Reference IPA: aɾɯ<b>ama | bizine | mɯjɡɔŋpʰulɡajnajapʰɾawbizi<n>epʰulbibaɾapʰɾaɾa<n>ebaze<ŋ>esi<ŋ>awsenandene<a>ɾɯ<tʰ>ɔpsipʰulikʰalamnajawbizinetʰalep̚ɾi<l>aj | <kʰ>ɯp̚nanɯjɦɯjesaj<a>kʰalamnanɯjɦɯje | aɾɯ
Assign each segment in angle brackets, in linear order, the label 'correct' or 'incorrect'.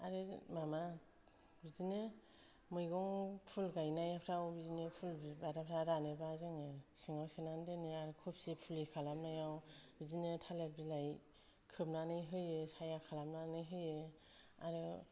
incorrect, correct, correct, correct, correct, correct, incorrect, correct, correct, correct

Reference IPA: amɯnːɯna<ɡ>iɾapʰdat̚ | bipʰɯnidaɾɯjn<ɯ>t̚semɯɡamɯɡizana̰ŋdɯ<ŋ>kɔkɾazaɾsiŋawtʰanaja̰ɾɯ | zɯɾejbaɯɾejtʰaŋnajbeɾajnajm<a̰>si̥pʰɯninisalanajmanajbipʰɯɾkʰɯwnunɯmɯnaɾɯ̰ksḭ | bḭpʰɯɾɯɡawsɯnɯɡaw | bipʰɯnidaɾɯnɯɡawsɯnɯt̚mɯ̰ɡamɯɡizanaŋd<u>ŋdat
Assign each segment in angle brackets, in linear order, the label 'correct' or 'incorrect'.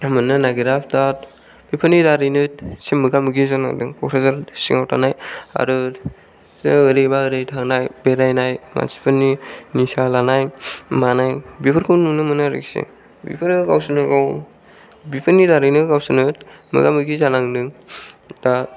correct, correct, correct, correct, incorrect

